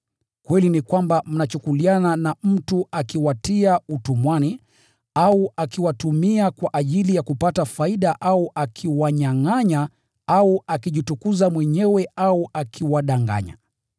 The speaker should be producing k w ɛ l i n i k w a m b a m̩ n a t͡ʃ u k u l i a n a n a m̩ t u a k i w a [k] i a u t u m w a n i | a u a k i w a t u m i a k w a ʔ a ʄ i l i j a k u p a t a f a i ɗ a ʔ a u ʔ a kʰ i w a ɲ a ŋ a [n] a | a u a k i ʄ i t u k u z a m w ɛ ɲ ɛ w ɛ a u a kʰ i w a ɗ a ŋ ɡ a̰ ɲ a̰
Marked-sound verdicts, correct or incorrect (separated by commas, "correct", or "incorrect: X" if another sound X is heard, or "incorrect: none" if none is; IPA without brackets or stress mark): incorrect: t, incorrect: ɲ